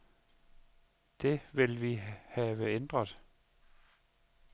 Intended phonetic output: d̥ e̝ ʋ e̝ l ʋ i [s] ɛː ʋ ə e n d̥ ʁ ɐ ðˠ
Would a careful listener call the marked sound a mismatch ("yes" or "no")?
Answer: yes